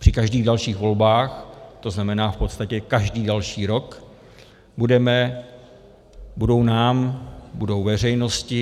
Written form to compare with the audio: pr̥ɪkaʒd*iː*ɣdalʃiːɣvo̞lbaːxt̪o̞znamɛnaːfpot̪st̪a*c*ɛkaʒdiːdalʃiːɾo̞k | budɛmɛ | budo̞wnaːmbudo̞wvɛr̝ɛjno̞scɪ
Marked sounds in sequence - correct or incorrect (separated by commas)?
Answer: correct, correct